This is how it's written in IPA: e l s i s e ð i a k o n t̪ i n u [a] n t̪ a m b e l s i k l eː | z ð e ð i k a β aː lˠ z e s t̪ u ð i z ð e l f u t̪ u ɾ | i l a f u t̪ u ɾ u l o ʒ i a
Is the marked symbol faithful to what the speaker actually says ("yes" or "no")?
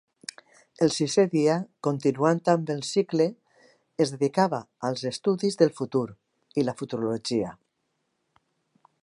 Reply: yes